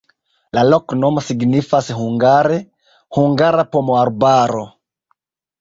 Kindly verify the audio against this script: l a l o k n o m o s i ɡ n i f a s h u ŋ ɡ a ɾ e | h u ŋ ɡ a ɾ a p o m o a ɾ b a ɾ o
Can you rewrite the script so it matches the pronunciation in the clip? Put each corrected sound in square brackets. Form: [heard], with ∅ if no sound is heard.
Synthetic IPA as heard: l a l o k n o m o s i ɡ n i f a s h u ŋ ɡ a ɾ e | h u ŋ ɡ a ɾ a p o m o a ɾ b a ɾ o